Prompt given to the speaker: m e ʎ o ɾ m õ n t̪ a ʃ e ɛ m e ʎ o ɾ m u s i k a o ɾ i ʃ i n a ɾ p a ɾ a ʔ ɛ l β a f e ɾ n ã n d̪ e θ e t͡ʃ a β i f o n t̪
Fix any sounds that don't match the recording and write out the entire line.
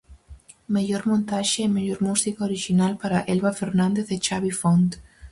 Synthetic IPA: m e ʎ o ɾ m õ n t̪ a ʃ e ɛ m e ʎ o ɾ m u s i k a o ɾ i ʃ i n a l p a ɾ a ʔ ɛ l β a f e ɾ n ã n d̪ e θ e t͡ʃ a β i f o n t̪